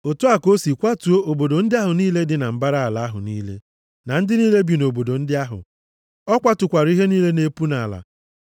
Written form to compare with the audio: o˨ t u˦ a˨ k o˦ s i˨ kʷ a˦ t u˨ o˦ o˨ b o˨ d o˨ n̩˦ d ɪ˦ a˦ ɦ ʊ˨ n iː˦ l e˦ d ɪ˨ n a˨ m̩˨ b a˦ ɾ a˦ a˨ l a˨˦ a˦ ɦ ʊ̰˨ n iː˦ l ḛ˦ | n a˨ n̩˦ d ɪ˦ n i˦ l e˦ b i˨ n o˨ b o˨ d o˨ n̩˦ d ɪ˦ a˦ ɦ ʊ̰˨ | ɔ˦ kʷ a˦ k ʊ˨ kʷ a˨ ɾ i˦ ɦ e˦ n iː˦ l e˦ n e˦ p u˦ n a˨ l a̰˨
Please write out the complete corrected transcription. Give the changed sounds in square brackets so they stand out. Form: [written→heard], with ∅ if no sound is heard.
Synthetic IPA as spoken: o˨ t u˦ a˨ k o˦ s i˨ kʷ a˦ t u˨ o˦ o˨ b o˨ d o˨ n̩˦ d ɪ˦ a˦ ɦ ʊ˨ n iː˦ l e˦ d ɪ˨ n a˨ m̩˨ b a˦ ɾ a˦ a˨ l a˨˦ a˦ ɦ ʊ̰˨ n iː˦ l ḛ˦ | n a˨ n̩˦ d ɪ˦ n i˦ l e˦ b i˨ n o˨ b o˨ d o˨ n̩˦ d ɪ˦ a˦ ɦ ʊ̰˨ | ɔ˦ kʷ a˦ [k→t] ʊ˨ kʷ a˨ ɾ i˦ ɦ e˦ n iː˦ l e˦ n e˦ p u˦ n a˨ l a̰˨